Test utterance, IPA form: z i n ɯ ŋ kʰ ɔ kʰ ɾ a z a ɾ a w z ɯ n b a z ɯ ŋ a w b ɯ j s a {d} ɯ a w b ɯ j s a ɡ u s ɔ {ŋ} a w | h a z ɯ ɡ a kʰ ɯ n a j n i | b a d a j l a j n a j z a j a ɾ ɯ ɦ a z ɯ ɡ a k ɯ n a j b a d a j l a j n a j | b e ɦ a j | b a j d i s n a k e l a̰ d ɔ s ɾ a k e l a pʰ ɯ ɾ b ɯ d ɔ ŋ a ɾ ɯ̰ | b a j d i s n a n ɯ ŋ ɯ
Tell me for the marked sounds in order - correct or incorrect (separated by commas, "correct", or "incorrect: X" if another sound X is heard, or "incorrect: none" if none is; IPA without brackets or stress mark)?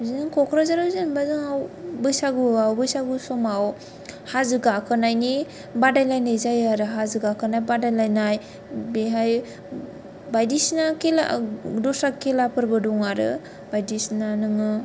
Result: incorrect: ɡ, incorrect: m